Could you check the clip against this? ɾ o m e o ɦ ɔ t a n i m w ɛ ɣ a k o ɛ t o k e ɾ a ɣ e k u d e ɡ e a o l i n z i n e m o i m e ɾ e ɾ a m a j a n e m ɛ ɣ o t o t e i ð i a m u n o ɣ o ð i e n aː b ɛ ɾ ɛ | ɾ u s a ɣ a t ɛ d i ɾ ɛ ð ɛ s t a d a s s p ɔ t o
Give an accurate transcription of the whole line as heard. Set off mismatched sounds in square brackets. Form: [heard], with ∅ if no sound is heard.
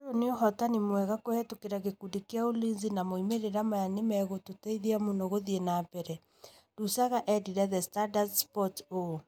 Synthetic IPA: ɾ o [n] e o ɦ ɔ t a n i m w ɛ ɣ a k o ɛ t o k e ɾ a ɣ e k u d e [k] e a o l i n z i n [a] m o i m e ɾ e ɾ a m a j a n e m ɛ ɣ o t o t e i ð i a m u n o ɣ o ð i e n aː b ɛ ɾ ɛ | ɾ u s a ɣ a [ʔ] ɛ d i ɾ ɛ ð ɛ s t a d a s s p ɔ t o